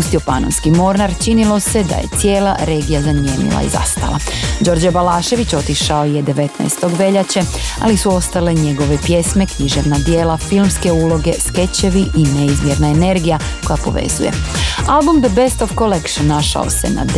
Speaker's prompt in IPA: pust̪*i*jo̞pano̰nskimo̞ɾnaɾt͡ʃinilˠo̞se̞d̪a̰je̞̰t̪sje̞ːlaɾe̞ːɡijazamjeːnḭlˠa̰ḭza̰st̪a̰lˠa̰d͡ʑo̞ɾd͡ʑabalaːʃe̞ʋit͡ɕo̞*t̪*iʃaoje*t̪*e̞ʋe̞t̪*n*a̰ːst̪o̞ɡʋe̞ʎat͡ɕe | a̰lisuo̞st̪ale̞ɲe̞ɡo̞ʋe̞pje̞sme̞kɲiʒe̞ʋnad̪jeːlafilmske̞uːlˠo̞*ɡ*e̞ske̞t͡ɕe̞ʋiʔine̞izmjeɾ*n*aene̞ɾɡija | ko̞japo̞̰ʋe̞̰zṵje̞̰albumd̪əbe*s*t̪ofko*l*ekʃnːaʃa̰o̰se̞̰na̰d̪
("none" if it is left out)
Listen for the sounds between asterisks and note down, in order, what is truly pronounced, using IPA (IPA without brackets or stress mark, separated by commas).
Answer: i, t̪, d̪, n, ɡ, n, s, l